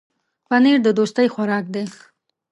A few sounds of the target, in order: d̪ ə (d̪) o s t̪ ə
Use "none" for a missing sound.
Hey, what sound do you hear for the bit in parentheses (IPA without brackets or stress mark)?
d̪